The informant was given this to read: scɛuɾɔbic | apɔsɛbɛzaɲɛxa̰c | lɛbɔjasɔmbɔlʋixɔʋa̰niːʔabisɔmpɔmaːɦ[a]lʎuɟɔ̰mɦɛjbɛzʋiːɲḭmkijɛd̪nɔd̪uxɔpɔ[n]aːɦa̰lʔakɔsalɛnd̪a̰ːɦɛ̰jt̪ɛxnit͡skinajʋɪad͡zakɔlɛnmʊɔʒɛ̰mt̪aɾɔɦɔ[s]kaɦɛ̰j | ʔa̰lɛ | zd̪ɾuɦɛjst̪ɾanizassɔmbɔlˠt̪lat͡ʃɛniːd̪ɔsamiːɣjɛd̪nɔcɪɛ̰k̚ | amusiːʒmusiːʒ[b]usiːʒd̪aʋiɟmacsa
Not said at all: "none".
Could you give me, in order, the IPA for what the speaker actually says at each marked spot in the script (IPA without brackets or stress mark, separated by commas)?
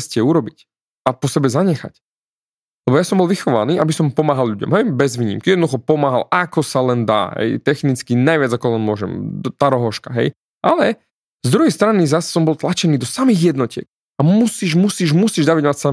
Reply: a, m, ʃ, m